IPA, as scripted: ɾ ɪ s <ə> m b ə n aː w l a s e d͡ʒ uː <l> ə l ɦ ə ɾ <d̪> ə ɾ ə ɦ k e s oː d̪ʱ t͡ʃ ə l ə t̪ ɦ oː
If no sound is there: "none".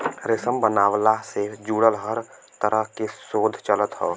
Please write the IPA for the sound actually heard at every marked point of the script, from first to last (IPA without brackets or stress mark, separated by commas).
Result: ə, ɽ, t̪